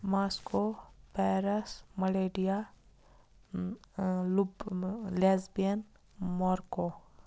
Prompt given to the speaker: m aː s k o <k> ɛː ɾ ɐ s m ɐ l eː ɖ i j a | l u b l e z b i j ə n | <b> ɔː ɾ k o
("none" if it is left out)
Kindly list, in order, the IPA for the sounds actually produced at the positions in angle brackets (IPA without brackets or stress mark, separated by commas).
p, m